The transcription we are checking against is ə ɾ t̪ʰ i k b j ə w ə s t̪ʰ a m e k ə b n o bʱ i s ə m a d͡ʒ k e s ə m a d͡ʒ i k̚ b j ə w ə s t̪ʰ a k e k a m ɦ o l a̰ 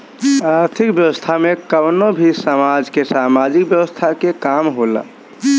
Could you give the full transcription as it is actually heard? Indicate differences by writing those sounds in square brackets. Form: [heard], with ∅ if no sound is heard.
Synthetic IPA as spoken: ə ɾ t̪ʰ i k b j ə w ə s t̪ʰ a m e k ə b n o bʱ i s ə m a d͡ʒ k e s [a] m a d͡ʒ i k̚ b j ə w ə s t̪ʰ a k e k a m ɦ o l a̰